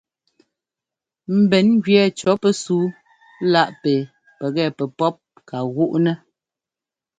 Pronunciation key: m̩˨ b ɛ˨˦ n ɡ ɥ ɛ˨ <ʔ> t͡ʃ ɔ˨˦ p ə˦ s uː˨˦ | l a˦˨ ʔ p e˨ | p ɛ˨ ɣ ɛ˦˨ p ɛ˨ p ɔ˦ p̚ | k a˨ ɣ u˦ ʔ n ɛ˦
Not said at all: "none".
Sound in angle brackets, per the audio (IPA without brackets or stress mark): none